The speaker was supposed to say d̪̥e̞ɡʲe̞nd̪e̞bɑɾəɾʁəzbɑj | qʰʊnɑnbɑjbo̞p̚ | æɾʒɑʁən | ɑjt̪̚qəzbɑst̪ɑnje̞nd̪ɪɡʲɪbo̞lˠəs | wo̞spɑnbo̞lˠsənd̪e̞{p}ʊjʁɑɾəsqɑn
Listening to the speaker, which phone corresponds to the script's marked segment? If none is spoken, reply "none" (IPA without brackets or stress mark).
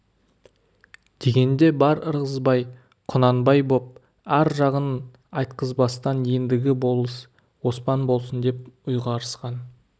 p